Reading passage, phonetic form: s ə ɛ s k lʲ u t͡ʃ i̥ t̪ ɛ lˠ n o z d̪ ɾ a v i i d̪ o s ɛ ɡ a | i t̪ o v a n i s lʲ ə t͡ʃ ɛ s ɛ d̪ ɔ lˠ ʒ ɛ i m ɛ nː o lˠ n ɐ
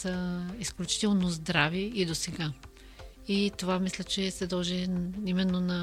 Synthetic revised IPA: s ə i s k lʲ u t͡ʃ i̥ t̪ ɛ lˠ n o z d̪ ɾ a v i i d̪ o s ɛ ɡ a | i t̪ o v a m i s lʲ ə t͡ʃ ɛ s ɛ d̪ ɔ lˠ ʒ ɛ i m ɛ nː o n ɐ